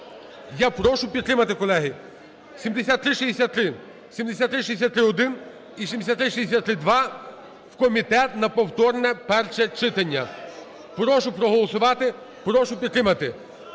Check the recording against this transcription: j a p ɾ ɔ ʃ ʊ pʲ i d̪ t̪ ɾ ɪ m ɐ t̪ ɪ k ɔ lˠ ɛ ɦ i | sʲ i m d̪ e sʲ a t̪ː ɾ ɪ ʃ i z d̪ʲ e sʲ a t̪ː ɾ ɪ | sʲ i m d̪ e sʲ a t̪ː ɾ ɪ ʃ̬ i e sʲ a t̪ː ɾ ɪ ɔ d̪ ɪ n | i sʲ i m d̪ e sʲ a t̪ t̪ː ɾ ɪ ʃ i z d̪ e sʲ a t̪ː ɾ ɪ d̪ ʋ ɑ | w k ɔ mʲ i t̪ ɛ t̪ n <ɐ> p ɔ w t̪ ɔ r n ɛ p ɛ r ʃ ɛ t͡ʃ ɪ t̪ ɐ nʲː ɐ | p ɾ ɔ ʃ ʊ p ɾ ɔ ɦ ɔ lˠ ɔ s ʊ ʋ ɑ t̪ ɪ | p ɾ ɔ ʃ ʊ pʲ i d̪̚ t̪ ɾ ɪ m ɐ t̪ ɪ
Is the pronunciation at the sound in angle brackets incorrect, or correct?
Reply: correct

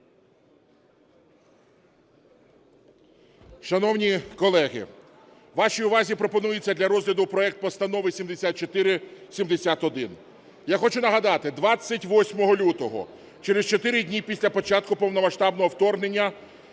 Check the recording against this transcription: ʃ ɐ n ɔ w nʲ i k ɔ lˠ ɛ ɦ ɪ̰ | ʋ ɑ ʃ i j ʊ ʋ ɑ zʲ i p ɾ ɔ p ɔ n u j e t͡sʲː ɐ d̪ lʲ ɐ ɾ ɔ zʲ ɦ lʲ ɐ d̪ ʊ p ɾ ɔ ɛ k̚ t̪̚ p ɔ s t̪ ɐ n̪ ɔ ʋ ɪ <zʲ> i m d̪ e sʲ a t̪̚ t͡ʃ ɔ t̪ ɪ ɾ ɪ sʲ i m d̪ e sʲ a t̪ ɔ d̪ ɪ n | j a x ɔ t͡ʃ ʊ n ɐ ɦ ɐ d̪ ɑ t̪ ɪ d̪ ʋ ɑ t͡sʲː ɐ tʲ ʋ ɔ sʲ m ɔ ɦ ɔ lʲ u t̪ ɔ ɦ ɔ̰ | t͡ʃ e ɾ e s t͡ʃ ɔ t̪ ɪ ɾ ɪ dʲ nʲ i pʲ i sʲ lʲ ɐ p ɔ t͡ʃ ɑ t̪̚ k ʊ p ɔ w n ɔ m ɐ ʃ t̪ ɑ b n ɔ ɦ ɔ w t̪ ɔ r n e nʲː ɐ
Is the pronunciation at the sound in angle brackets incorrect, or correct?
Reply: incorrect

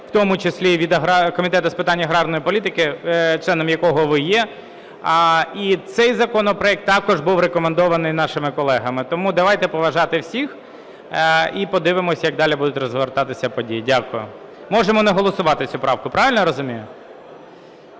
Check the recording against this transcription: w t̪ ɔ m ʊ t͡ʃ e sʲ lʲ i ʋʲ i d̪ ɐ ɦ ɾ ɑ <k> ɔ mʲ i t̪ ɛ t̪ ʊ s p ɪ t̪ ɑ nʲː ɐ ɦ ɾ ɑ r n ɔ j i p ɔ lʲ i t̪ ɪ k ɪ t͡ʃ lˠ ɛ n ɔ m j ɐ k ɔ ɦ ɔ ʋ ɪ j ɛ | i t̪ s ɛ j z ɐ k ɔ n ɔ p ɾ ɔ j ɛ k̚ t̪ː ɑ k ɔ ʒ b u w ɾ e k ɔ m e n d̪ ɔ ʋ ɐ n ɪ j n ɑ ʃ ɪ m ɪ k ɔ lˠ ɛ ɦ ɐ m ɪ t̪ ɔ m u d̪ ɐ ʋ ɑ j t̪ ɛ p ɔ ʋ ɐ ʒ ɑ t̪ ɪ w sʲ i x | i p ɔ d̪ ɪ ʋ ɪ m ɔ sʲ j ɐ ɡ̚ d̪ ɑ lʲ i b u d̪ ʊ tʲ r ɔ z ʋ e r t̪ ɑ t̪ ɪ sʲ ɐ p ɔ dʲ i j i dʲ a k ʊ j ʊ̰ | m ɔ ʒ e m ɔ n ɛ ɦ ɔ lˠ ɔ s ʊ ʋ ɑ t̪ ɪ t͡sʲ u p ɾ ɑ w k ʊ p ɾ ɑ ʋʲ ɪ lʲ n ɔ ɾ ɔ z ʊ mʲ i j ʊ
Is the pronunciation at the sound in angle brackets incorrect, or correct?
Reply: correct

